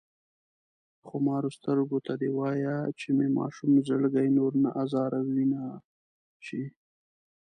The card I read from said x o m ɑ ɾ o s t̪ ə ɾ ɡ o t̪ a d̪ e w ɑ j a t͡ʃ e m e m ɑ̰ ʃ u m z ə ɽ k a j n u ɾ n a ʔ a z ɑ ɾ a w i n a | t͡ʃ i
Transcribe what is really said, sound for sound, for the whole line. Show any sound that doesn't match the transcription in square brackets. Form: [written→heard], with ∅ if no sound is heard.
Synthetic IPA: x o m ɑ ɾ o s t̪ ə ɾ ɡ o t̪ a d̪ e w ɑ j a t͡ʃ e m e m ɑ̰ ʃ u m z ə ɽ [k→ɡ] a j n [u→o] ɾ n a ʔ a z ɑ ɾ a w i n a | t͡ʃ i